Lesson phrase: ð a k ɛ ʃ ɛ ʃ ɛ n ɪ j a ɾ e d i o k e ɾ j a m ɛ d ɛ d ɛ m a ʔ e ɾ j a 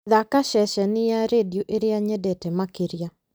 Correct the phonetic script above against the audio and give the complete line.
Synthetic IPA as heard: ð a k a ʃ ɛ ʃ ɛ n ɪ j a ɾ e d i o ʔ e ɾ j a ɲ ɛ d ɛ t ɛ m a k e ɾ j a